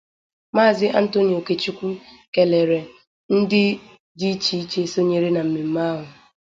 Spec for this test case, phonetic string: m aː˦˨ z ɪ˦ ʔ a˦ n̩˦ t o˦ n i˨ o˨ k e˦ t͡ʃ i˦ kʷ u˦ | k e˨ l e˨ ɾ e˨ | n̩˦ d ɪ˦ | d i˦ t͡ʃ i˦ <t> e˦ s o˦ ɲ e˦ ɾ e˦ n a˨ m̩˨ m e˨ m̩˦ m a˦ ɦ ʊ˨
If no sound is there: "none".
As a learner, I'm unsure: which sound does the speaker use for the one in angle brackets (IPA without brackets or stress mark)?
t͡ʃ